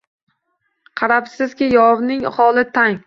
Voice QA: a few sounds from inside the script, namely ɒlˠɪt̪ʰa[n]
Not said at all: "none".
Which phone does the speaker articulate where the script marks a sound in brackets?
ŋ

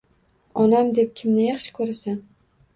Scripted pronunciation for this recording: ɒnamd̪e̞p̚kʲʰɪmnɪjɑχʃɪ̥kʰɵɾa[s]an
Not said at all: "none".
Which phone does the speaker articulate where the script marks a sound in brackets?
s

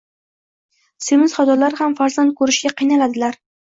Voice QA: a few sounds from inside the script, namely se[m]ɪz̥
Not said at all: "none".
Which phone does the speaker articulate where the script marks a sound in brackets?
m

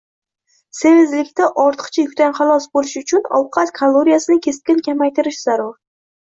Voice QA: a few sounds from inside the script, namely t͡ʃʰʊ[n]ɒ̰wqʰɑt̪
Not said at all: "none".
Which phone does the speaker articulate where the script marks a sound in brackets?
n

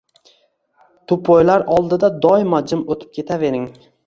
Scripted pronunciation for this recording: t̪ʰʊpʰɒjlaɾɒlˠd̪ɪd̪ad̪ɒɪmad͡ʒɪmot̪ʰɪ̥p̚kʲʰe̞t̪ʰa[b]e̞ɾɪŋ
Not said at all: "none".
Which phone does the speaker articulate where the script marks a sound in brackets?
v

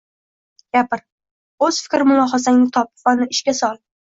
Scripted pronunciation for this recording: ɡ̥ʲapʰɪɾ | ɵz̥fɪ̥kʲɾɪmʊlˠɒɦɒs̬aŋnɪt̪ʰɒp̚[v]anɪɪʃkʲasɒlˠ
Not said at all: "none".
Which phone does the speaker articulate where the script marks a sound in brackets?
v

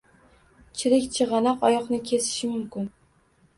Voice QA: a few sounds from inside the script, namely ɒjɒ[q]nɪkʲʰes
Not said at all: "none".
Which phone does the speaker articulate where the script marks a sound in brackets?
q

